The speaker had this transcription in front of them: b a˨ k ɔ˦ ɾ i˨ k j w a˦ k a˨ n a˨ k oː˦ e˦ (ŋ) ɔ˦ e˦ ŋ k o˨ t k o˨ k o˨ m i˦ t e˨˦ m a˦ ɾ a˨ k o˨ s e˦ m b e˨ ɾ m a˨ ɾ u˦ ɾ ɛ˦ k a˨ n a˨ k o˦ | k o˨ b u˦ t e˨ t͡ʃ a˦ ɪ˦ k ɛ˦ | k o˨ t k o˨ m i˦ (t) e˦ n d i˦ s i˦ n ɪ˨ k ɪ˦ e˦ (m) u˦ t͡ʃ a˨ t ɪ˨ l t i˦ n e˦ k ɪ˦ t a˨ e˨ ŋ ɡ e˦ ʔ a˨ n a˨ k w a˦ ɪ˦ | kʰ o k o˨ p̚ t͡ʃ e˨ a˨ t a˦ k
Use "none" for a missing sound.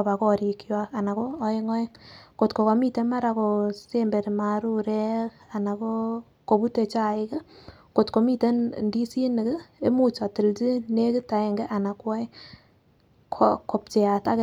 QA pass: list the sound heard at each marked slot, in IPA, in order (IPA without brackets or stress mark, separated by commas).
ŋ, t, m